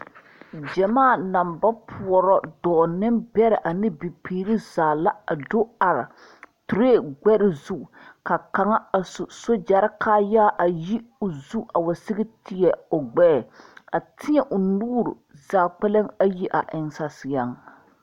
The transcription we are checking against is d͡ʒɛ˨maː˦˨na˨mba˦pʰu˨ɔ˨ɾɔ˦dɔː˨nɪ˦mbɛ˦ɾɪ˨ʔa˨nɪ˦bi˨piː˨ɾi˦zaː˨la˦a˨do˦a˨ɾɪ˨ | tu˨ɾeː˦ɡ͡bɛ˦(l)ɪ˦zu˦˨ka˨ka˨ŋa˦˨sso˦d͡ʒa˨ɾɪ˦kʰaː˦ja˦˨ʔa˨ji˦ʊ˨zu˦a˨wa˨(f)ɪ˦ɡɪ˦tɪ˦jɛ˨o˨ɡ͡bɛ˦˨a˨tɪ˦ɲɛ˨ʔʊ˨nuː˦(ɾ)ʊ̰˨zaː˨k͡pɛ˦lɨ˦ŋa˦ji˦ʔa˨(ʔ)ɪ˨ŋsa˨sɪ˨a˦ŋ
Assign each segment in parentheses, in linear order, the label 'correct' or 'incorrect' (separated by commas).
incorrect, incorrect, correct, correct